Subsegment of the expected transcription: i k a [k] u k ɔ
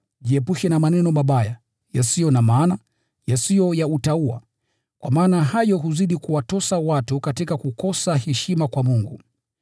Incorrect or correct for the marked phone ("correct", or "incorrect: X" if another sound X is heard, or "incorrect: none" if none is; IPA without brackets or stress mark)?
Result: correct